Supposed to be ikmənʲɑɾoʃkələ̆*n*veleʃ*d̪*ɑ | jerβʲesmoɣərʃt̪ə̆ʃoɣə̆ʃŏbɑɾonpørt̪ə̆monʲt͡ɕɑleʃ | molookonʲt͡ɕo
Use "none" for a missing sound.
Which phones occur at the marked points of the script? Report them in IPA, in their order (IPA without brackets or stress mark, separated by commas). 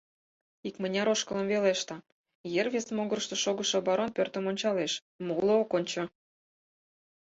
m, t̪